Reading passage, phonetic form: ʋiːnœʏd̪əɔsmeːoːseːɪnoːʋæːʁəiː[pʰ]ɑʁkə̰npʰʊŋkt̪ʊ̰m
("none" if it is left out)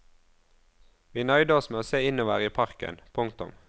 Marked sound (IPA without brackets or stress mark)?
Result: pʰ